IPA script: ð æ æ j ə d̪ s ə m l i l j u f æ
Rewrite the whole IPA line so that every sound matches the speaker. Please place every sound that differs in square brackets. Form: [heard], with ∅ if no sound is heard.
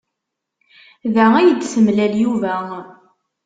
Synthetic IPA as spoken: ð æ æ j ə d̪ s ə m l [æ] l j u [v] æ